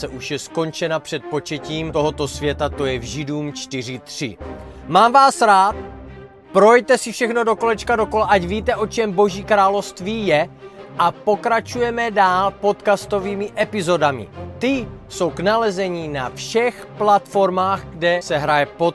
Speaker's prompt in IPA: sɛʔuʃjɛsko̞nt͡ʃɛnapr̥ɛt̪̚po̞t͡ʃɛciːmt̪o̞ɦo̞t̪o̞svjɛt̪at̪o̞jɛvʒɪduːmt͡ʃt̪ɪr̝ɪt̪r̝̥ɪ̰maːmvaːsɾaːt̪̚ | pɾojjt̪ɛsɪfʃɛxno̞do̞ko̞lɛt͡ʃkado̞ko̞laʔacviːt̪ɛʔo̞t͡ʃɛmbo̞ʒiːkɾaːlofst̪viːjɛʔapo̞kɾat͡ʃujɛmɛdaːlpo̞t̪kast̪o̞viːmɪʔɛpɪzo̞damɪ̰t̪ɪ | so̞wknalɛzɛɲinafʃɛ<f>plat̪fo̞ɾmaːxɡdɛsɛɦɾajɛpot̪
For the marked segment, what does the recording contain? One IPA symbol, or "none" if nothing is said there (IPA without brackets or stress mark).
x